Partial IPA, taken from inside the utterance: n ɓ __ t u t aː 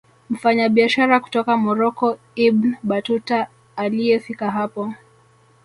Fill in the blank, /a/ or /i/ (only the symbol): a